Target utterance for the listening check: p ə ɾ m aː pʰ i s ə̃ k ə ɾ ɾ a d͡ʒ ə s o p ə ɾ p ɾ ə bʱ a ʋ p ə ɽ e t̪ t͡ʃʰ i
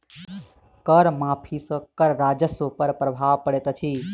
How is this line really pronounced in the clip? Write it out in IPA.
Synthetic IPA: k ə ɾ m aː pʰ i s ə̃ k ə ɾ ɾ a d͡ʒ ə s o p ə ɾ p ɾ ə bʱ a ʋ p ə ɽ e t̪ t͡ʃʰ i